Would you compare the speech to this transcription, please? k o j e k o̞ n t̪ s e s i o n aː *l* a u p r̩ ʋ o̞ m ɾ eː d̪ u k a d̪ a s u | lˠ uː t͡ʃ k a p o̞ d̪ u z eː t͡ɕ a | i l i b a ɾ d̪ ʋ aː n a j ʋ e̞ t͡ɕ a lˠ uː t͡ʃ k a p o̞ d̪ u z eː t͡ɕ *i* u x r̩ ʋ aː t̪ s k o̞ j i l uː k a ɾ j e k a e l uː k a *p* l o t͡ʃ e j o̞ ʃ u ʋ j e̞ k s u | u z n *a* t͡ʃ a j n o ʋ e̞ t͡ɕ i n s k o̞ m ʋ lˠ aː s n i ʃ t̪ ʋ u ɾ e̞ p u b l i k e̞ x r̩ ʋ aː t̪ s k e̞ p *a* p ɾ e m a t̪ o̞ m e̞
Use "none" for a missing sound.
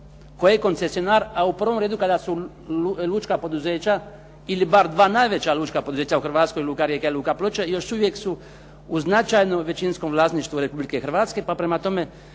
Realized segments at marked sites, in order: ɾ, a, p, a, a

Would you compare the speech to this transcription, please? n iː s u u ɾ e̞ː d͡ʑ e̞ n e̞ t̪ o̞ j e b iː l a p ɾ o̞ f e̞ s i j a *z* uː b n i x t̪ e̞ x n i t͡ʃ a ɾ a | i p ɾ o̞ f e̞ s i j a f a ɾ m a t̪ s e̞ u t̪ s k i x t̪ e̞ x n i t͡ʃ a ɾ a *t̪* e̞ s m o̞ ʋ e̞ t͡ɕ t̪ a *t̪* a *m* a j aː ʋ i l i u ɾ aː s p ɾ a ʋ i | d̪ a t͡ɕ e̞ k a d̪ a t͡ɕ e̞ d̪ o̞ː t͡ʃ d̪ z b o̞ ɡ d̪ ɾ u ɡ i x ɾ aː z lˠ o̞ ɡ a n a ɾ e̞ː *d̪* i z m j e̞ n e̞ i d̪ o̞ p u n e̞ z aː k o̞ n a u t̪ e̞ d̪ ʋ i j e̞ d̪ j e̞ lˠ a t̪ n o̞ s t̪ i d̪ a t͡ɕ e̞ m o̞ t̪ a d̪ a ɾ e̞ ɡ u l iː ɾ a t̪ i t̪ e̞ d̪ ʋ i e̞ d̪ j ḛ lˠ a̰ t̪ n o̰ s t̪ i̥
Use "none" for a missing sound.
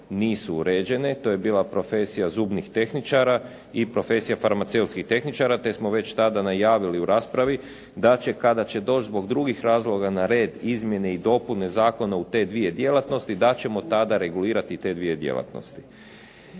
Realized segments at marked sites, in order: z, t̪, d̪, n, d̪

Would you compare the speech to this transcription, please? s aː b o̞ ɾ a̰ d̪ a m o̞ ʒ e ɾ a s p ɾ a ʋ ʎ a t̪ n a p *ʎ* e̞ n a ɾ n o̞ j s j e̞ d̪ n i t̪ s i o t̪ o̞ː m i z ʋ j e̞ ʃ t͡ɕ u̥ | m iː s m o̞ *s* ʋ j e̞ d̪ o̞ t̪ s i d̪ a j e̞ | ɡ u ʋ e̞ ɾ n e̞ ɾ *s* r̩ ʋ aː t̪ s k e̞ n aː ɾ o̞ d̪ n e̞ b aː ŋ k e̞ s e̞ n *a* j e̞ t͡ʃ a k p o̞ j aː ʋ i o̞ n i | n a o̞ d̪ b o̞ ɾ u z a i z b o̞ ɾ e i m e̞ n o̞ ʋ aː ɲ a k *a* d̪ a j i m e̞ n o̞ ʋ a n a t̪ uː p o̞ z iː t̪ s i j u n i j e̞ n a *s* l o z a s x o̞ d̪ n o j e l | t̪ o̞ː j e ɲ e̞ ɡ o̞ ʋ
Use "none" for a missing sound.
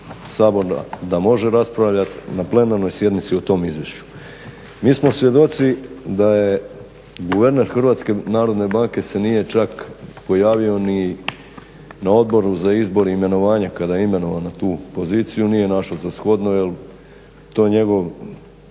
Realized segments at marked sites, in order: l, s, x, i, a, ʃ

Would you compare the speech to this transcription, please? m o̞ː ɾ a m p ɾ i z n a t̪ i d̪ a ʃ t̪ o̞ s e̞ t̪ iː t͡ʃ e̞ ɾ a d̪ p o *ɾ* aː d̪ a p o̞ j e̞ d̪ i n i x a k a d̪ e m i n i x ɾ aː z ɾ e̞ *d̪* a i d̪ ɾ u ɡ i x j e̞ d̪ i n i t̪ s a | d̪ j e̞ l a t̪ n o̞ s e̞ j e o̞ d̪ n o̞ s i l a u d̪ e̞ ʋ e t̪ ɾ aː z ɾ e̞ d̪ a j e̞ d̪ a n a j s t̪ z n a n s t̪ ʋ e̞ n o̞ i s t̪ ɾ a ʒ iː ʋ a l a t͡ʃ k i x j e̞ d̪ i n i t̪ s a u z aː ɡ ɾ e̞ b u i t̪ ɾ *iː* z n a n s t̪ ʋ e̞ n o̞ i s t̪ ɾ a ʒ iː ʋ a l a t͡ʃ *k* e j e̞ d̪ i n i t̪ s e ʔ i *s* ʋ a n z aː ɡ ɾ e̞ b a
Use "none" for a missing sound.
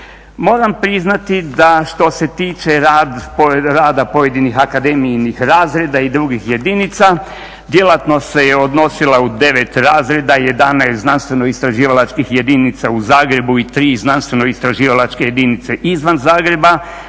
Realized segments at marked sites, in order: ɾ, d̪, iː, k, z

